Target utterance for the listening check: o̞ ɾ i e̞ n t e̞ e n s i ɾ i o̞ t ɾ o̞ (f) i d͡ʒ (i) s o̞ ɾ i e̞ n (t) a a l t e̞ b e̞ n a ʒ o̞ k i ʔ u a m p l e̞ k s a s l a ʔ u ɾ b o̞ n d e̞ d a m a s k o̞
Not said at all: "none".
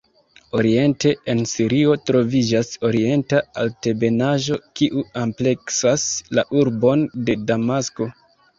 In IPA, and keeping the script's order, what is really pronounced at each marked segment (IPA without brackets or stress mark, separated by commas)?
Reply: v, a, t